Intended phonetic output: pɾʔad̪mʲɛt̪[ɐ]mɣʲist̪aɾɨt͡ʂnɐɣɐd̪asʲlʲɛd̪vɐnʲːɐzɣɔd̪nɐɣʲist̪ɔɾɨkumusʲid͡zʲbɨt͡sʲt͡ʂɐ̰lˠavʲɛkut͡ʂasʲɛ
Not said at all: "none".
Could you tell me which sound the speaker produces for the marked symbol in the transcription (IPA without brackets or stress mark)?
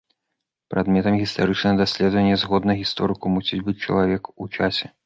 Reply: ɐ